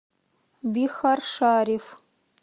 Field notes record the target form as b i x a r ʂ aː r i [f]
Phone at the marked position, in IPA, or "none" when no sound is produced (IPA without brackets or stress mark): f